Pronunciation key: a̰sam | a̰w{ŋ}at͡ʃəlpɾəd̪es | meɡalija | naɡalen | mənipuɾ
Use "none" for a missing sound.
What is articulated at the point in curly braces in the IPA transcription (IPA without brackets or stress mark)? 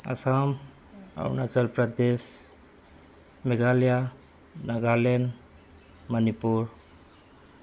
n